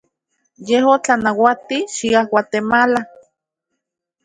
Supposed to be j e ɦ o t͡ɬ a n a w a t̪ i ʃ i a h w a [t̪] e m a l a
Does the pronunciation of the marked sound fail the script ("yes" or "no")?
no